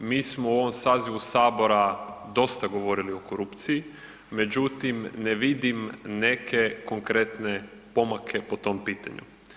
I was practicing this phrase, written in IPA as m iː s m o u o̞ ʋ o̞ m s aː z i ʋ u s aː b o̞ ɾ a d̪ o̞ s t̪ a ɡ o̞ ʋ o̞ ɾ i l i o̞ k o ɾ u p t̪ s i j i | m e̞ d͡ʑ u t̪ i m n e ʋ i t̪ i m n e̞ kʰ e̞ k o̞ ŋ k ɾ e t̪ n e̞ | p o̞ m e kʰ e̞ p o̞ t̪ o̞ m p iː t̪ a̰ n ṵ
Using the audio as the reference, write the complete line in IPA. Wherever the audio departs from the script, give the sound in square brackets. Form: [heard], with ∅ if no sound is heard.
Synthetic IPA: m iː s m o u o̞ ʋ o̞ m s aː z i ʋ u s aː b o̞ ɾ a d̪ o̞ s t̪ a ɡ o̞ ʋ o̞ ɾ i l i o̞ k o ɾ u p t̪ s i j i | m e̞ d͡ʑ u t̪ i m n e ʋ i [d̪] i m n e̞ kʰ e̞ k o̞ ŋ k ɾ e t̪ n e̞ | p o̞ m [a] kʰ e̞ p o̞ t̪ o̞ m p iː t̪ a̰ [ɲ] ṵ